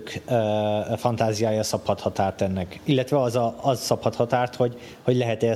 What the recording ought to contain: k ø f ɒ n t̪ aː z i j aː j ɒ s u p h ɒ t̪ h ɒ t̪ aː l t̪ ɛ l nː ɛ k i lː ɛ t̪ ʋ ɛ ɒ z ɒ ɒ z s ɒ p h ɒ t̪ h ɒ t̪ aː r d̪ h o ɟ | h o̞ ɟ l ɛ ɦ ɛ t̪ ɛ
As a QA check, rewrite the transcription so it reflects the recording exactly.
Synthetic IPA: k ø f ɒ n t̪ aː z i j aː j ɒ s ɒ p h ɒ t̪ h ɒ t̪ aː r t̪ ɛ nː ɛ k i lː ɛ t̪ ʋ ɛ ɒ z ɒ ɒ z s ɒ p h ɒ t̪ h ɒ t̪ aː r t̪ h o ɟ | h o̞ ɟ l ɛ ɦ ɛ t̪ ɛ